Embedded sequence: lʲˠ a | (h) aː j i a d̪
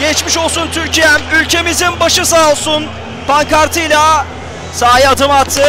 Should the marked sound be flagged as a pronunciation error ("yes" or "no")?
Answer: yes